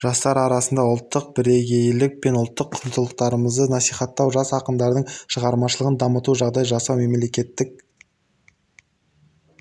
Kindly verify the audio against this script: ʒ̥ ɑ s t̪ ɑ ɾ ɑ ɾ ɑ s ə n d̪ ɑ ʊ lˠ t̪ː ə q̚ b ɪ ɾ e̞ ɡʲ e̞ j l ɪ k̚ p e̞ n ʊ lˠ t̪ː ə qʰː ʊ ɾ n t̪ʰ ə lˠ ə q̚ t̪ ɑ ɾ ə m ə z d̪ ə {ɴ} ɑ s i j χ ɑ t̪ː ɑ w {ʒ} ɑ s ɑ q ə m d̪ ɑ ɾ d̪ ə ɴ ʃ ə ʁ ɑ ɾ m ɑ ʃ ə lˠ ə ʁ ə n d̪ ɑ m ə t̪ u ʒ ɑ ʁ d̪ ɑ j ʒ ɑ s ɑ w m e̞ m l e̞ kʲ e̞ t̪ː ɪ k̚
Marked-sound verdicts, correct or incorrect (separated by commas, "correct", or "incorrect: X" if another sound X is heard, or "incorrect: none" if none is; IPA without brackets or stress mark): incorrect: n, correct